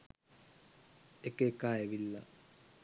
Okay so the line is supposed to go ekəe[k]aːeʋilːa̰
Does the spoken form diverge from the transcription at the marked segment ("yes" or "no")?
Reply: no